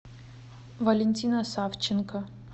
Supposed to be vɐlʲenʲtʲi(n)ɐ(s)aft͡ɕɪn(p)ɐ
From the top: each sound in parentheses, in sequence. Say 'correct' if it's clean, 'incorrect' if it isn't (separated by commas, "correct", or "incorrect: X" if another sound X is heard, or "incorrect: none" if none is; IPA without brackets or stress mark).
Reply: correct, correct, incorrect: k